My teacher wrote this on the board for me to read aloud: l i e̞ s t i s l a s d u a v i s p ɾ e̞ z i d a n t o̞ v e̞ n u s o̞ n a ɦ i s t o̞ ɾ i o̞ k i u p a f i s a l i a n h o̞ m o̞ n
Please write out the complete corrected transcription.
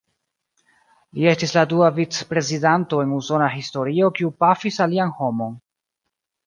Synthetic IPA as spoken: l i e̞ s t i s l a d u a v i t͡s p ɾ e̞ z i d a n t o̞ e̞ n u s o̞ n a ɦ i s t o̞ ɾ i o̞ k i u p a f i s a l i a n h o̞ m o̞ n